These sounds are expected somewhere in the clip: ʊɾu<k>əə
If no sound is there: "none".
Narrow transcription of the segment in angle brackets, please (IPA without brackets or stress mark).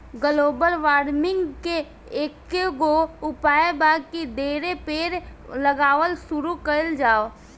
k